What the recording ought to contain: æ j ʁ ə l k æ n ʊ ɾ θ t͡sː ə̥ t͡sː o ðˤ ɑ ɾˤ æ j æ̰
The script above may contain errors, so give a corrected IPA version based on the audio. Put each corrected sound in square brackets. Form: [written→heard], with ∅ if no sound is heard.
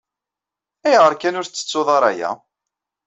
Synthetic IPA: æ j ʁ ə [l→ɾ] k æ n ʊ ɾ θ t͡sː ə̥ t͡sː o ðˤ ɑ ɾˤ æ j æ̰